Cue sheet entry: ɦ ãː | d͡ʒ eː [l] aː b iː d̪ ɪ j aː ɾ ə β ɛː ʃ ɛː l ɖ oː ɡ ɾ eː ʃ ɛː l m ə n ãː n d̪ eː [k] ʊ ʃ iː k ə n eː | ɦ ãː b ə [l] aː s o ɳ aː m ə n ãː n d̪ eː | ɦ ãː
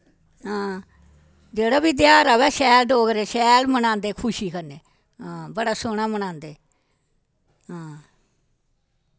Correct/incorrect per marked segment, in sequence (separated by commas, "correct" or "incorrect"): incorrect, incorrect, incorrect